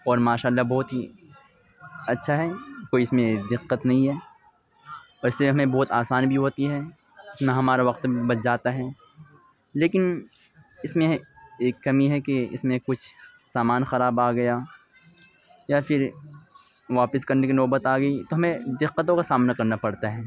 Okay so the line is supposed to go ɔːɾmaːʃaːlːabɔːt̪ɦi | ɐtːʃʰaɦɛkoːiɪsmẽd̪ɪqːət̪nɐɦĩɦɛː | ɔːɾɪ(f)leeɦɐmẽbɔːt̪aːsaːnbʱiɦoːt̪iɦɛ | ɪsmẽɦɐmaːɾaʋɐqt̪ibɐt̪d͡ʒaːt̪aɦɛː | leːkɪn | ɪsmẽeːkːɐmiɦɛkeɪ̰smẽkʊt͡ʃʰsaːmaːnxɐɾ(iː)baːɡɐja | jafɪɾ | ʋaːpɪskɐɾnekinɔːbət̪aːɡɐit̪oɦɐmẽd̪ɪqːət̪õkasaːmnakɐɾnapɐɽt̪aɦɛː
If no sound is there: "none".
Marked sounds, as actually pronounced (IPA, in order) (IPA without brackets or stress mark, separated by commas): s, aː